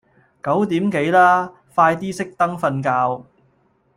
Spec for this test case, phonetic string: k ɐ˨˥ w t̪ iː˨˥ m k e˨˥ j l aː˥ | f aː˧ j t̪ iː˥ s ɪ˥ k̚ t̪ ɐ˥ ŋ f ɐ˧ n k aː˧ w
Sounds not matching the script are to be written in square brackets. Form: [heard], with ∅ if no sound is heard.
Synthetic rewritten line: k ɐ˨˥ w t̪ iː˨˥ m k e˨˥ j l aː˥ | f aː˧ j t̪ iː˥ s ɪ˥ k̚ t̪ ɐ˥ ŋ f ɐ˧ n k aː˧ w